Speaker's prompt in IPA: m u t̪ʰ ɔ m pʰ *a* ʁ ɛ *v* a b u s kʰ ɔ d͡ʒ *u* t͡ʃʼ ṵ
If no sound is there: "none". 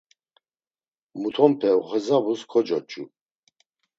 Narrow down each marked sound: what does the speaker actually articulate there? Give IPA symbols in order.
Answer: ɛ, z, ɔ

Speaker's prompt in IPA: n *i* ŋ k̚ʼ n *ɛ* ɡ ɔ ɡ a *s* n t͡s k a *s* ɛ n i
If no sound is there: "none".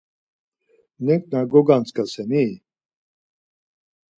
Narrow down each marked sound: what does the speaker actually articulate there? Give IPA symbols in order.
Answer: ɛ, a, none, s

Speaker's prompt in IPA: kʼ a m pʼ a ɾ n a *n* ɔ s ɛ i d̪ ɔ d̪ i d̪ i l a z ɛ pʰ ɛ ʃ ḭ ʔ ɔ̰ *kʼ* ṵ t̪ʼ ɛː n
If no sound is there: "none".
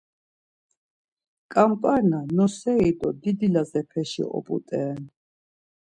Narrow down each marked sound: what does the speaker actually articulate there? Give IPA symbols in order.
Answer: n, pʼ

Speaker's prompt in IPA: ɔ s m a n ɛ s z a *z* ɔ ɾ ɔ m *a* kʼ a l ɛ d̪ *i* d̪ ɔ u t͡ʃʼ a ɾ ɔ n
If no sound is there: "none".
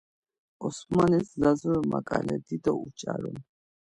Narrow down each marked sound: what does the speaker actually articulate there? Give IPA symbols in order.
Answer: z, a, i

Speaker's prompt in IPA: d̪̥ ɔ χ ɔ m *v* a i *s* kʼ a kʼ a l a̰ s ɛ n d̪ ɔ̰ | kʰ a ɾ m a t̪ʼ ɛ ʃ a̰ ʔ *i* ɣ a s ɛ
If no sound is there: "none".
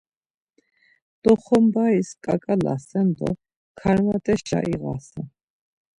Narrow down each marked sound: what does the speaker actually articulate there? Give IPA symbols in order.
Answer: b, s, i

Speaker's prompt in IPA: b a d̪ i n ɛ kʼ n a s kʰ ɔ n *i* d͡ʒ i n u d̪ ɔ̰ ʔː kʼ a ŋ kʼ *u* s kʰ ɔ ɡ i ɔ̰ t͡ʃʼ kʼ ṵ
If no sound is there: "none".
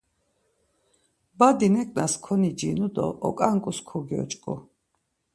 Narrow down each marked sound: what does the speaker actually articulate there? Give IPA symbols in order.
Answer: i, u

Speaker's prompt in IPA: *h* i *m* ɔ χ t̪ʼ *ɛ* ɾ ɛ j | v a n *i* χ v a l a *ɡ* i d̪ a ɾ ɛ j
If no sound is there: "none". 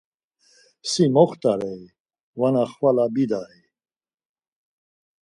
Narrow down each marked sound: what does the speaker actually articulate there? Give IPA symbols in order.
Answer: s, m, a, a, b

